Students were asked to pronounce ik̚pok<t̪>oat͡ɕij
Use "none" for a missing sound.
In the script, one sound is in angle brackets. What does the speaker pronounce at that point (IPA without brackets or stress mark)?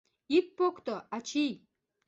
t̪